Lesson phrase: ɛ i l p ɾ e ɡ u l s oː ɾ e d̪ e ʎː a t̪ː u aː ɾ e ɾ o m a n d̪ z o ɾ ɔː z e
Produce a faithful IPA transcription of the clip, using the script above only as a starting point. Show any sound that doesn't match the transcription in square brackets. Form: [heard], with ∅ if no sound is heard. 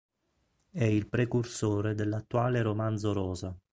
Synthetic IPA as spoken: ɛ i l p ɾ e [k] u [r] s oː ɾ e d̪ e [lː] a t̪ː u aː [l] e ɾ o m a n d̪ z o ɾ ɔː z [a]